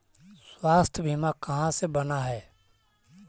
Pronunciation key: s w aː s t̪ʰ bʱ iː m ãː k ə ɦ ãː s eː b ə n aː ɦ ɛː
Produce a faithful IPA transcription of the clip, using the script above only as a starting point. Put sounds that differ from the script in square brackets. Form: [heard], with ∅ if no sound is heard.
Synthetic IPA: s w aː s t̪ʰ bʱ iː m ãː k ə ɦ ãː s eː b ə n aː ɦ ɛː